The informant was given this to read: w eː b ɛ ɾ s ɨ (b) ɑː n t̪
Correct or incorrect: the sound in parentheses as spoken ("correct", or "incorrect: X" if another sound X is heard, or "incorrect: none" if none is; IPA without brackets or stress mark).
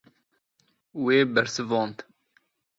incorrect: v